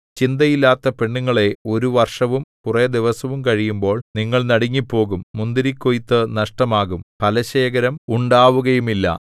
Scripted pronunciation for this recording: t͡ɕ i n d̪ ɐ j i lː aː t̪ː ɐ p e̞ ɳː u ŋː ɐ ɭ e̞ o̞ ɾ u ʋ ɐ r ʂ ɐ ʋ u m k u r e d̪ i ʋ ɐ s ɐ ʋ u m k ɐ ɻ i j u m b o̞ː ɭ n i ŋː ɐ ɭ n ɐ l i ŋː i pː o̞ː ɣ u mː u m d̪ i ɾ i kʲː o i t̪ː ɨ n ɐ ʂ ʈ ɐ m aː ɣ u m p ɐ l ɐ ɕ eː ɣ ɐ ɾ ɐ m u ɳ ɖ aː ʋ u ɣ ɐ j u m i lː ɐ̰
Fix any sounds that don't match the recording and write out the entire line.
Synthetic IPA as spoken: t͡ɕ i n d̪ ɐ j i lː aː t̪ː ɐ p e̞ ɳː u ŋː ɐ ɭ e̞ o̞ ɾ u ʋ ɐ r ʂ ɐ ʋ u m k u r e d̪ i ʋ ɐ s ɐ ʋ u m k ɐ ɻ i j u m b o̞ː ɭ n i ŋː ɐ ɭ n ɐ ɽ i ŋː i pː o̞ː ɣ u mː u n d̪ i ɾ i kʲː o j t̪ː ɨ n ɐ ʂ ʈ ɐ m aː ɣ u m p ɐ l ɐ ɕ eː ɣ ɐ ɾ ɐ m u ɳ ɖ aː ʋ u ɣ ɐ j u m i lː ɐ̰

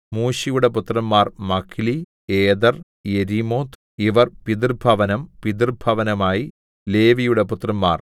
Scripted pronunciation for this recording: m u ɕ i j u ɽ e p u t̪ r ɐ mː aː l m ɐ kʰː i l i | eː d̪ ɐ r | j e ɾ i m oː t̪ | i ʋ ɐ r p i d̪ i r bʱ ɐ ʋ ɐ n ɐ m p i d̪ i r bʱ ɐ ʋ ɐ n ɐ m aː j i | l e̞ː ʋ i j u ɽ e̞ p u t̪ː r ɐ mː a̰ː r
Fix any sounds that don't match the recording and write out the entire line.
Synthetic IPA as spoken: m uː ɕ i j u ɽ e p u t̪ r ɐ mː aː r m ɐ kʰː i l i | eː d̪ ɐ r | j e ɾ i m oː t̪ | i ʋ ɐ r p i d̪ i r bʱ ɐ ʋ ɐ n ɐ m p i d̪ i r bʱ ɐ ʋ ɐ n ɐ m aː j i | l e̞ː ʋ i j u ɽ e̞ p u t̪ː r ɐ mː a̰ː r

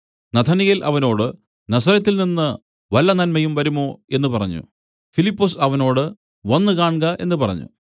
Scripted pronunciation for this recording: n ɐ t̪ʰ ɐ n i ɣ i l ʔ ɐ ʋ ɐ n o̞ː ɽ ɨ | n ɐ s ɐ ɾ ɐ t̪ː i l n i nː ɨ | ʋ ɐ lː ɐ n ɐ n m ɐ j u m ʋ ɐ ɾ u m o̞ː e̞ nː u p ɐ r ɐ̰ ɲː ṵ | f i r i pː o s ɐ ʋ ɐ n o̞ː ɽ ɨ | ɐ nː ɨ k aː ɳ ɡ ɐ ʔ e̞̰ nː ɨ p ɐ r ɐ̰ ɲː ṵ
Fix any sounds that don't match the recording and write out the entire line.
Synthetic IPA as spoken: n ɐ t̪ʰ ɐ n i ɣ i l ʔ ɐ ʋ ɐ n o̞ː ɽ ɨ | n ɐ s ɐ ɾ ɐ t̪ː i l n i nː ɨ | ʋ ɐ lː ɐ n ɐ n m ɐ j u m ʋ ɐ ɾ u m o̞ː e̞ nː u p ɐ r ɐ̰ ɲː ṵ | f i l i pː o s ɐ ʋ ɐ n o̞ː ɽ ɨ | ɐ nː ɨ k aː ɳ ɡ ɐ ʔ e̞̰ nː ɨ p ɐ r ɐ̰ ɲː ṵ

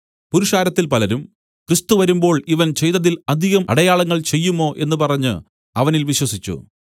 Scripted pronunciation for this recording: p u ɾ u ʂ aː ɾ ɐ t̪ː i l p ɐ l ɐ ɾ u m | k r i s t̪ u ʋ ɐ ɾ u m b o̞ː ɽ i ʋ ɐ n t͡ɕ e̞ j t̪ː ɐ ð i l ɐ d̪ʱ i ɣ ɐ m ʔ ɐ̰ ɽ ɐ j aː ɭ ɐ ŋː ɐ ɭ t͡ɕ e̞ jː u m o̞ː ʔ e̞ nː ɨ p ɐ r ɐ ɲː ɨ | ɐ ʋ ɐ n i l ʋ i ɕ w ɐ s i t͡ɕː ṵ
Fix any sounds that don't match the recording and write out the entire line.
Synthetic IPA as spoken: p u ɾ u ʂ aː ɾ ɐ t̪ː i l p ɐ l ɐ ɾ u m | k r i s t̪ u ʋ ɐ ɾ u m b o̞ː ɭ i ʋ ɐ n t͡ɕ e̞ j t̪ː ɐ ð i l ɐ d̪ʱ i ɣ ɐ m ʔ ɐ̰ ɽ ɐ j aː ɭ ɐ ŋː ɐ ɭ t͡ɕ e̞ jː u m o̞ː ʔ e̞ nː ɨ p ɐ r ɐ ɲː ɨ | ɐ ʋ ɐ n i l ʋ i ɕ w ɐ s i t͡ɕː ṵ

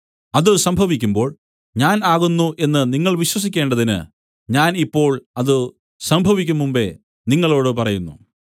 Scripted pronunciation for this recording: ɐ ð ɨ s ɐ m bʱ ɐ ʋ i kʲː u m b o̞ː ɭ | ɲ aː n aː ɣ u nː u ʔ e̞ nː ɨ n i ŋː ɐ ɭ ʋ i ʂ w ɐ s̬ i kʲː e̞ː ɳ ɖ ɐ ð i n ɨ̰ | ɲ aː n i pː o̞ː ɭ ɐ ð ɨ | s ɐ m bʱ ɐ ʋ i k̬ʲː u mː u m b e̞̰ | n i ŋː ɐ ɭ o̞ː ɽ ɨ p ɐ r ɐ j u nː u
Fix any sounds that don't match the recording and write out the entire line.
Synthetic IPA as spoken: ɐ ð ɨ s ɐ m bʱ ɐ ʋ i kʲː u m b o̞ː ɭ | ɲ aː n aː ɣ u nː u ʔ e̞ nː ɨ n i ŋː ɐ ɭ ʋ i ɕ w ɐ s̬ i kʲː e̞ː ɳ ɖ ɐ ð i n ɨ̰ | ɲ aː n i pː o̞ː ɭ ɐ ð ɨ | s ɐ m bʱ ɐ ʋ i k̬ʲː u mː u m b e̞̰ | n i ŋː ɐ ɭ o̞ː ɽ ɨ p ɐ r ɐ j u nː u

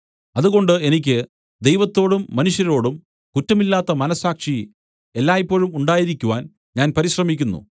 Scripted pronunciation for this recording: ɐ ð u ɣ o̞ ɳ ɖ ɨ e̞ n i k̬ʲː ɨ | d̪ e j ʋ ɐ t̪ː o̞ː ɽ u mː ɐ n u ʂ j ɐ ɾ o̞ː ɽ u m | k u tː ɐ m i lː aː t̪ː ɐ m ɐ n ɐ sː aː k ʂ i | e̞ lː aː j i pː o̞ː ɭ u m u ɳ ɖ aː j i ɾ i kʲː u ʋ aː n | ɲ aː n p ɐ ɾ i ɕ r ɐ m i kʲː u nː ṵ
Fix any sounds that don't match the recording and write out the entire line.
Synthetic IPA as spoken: ɐ ð u ɣ o̞ ɳ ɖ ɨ e̞ n i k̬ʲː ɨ | d̪ e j ʋ ɐ t̪ː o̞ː ɽ u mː ɐ n u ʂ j ɐ ɾ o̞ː ɽ u m | k u tː ɐ m i lː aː t̪ː ɐ m ɐ n ɐ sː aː k ʂ i | e̞ lː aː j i pː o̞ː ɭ u m u ɳ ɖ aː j i ɾ i kʲː u ʋ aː n | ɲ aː n p ɐ ɾ i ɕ r ɐ m i kʲː u nː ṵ

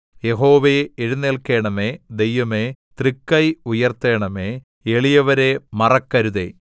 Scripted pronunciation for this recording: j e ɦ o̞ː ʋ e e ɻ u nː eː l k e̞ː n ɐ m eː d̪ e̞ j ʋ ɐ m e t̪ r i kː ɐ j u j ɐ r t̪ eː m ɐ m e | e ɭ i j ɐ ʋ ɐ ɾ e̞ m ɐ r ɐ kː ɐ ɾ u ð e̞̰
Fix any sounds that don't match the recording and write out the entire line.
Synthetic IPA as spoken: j e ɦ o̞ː ʋ e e ɻ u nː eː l k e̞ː ɳ ɐ m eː d̪ e̞ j ʋ ɐ m e t̪ r i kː ɐ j u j ɐ r t̪ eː ɳ ɐ m e | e ɭ i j ɐ ʋ ɐ ɾ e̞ m ɐ r ɐ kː ɐ ɾ u ð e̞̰

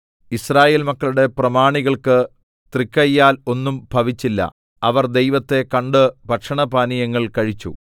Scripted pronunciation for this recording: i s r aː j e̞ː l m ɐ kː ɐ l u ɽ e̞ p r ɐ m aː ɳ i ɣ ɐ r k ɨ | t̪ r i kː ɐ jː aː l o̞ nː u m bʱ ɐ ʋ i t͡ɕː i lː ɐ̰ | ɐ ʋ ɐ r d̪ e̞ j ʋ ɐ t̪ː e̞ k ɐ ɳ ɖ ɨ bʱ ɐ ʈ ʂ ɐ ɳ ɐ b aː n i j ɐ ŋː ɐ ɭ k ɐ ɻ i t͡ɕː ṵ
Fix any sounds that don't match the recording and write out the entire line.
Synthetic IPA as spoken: i s r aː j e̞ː l m ɐ kː ɐ ɭ u ɽ e̞ p r ɐ m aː ɳ i ɣ ɐ ɭ k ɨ | t̪ r i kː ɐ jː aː l o̞ nː u m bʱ ɐ ʋ i t͡ɕː i lː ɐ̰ | ɐ ʋ ɐ r d̪ e̞ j ʋ ɐ t̪ː e̞ k ɐ ɳ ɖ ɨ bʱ ɐ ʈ ʂ ɐ ɳ ɐ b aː n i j ɐ ŋː ɐ ɭ k ɐ ɻ i t͡ɕː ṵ

